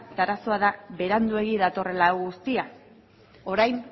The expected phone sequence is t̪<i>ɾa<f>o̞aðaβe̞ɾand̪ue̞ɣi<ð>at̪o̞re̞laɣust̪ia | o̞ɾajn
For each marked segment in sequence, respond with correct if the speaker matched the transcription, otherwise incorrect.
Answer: incorrect, incorrect, correct

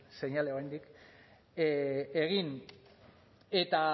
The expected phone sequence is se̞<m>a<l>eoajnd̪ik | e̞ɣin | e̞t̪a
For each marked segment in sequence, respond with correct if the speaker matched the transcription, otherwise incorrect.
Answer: incorrect, correct

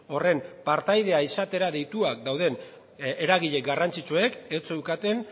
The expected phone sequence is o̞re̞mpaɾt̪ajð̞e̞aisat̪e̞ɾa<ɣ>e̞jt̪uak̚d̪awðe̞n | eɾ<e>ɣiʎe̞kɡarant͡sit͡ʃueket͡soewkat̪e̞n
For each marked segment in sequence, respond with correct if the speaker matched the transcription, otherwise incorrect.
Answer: incorrect, incorrect

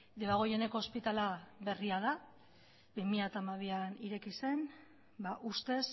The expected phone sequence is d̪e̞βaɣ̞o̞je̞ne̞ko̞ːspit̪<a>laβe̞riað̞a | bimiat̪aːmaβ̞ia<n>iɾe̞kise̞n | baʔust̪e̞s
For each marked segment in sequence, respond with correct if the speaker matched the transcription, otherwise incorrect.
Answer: correct, correct

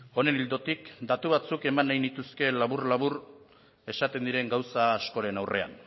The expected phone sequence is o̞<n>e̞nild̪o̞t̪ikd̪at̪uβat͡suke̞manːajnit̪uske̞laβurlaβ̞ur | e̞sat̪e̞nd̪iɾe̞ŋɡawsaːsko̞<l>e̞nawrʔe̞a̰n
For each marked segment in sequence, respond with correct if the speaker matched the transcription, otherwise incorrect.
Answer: correct, incorrect

